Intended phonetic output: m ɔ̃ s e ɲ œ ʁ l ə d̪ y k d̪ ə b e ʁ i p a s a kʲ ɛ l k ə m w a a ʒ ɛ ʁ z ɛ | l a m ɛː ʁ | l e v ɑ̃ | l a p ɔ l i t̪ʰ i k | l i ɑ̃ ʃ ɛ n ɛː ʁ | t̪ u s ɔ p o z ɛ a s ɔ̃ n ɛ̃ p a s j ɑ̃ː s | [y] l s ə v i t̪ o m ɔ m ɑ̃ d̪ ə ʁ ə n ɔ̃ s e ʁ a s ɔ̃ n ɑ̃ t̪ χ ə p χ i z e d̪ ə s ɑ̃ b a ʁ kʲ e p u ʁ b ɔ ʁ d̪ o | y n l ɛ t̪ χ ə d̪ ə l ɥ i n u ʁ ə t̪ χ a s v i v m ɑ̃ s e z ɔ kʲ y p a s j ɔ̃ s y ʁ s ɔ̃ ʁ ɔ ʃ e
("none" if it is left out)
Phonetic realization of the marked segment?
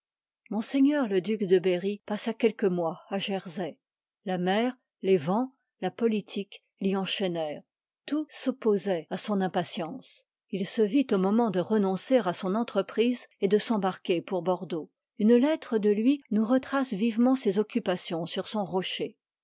i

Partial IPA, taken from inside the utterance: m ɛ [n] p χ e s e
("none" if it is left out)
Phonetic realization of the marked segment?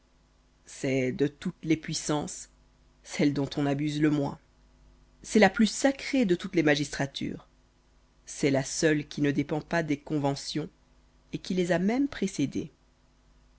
m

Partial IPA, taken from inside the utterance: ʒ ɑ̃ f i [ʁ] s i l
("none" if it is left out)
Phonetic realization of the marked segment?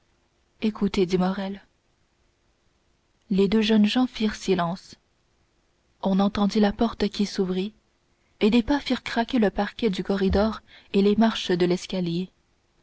ʁ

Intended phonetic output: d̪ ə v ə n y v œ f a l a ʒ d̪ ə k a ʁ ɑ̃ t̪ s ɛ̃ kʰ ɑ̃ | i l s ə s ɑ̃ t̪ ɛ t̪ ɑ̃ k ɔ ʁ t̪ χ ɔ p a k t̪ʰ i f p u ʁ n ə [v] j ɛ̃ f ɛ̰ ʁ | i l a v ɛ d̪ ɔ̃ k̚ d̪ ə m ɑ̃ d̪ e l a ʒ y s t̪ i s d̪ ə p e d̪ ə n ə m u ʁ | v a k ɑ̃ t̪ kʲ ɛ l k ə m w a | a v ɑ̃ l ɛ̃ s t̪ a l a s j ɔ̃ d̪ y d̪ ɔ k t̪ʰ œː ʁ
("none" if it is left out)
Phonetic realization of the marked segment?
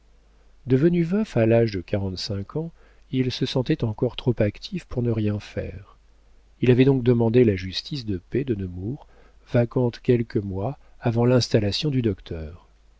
ʁ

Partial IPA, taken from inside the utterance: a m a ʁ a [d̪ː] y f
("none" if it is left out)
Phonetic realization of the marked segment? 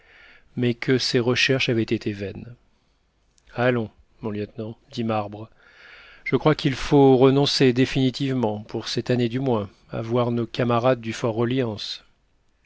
d̪ː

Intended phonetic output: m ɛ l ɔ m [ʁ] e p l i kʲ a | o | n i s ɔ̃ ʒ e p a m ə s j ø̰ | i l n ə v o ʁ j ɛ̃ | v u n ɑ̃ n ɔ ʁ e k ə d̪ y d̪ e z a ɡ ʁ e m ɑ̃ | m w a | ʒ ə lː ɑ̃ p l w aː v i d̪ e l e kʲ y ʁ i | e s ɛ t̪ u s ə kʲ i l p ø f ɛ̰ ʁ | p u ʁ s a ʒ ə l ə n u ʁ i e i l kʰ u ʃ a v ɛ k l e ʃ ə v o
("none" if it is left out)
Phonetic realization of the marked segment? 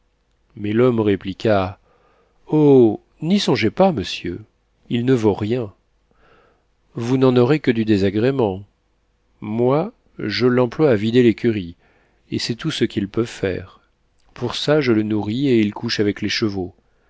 ʁ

